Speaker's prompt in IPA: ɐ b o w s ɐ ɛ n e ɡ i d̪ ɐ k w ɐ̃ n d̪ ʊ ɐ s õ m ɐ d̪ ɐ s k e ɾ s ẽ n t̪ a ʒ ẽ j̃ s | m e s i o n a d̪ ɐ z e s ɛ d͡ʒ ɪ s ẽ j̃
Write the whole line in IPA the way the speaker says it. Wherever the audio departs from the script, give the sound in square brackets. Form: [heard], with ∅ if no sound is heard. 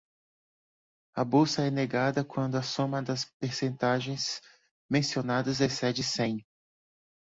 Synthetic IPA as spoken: ɐ b o w s ɐ ɛ n e ɡ [a] d̪ ɐ k w ɐ̃ n d̪ ʊ ɐ s õ m ɐ d̪ ɐ s [p] e ɾ s ẽ n t̪ a ʒ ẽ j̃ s | m [ẽ] s i o n a d̪ ɐ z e s ɛ d͡ʒ ɪ s ẽ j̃